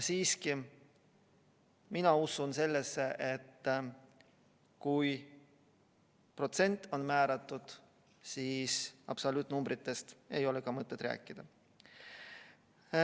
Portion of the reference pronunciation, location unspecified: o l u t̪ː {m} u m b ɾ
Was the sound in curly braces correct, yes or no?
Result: no